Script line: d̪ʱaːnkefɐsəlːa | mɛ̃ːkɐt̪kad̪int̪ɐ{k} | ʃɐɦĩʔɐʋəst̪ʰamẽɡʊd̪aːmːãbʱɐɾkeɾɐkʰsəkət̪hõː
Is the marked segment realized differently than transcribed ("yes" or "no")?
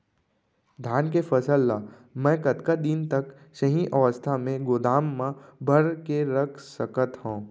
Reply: no